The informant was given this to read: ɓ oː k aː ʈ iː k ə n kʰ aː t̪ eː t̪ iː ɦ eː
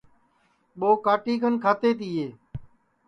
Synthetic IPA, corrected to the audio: ɓ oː k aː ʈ iː k ə n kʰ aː t̪ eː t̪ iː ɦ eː